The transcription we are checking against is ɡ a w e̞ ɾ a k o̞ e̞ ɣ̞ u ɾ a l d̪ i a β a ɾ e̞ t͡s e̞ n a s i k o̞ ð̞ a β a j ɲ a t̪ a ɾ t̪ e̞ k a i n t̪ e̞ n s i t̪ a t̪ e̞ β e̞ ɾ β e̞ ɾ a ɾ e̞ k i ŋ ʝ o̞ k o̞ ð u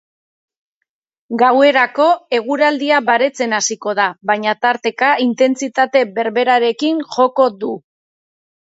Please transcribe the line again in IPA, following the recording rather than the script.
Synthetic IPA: ɡ a w e̞ ɾ a k o̞ e̞ ɣ̞ u ɾ a l d̪ i a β a ɾ e̞ t͡s e̞ n a s i k o̞ ð̞ a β a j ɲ a t̪ a ɾ t̪ e̞ k a i n t̪ e̞ n t͡s i t̪ a t̪ e̞ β e̞ ɾ β e̞ ɾ a ɾ e̞ k i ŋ ʝ o̞ k o̞ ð u